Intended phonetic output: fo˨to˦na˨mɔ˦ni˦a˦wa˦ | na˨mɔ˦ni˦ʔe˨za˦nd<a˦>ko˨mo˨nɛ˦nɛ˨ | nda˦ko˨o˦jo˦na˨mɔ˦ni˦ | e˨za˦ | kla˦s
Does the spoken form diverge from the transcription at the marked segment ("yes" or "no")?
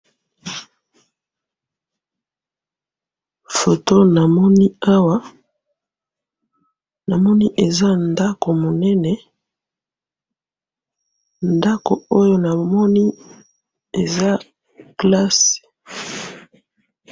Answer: no